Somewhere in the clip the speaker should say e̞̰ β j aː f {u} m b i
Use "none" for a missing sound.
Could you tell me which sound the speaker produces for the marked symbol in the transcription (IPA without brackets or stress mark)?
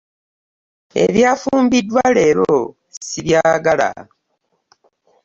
uː